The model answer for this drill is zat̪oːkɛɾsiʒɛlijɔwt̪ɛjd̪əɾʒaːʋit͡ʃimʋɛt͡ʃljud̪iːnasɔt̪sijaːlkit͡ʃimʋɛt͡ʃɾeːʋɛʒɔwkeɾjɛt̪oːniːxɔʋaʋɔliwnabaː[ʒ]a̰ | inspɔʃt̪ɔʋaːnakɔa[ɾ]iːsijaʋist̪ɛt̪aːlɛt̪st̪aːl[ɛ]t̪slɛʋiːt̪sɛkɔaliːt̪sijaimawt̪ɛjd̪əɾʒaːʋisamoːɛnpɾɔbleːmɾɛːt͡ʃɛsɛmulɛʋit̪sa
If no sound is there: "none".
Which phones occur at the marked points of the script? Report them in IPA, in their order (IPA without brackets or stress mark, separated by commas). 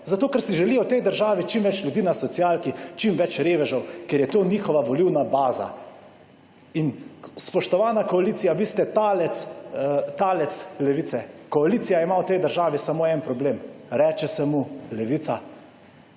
z, l, ɛ